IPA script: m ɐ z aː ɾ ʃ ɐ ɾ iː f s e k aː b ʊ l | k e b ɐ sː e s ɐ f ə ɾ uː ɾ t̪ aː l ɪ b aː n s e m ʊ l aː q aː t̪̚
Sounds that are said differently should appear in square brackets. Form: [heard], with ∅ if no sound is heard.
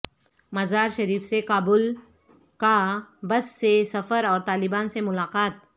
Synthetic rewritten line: m ɐ z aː ɾ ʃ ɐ ɾ iː f s e k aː b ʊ l | k [a] b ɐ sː e s ɐ f ə ɾ [ɔː] ɾ t̪ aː l ɪ b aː n s e m ʊ l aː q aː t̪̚